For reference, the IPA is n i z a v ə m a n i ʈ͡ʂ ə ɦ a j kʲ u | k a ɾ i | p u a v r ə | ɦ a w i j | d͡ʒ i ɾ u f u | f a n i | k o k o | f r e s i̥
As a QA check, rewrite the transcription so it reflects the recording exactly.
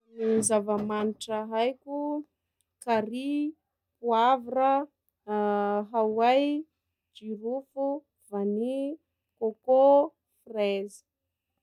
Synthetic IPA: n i z a v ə m a n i ʈ͡ʂ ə ɦ a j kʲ u | k a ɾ i | p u a v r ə | ɦ a w a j | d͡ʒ i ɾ u f u | v a n i | k o k o | f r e z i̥